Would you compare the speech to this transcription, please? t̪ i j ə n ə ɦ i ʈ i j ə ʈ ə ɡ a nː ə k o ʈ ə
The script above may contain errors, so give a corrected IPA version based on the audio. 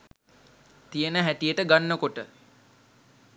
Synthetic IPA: t̪ i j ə n ə ɦ æ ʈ i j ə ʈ ə ɡ a nː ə k o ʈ ə